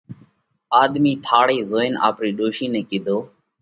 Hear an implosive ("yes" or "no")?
yes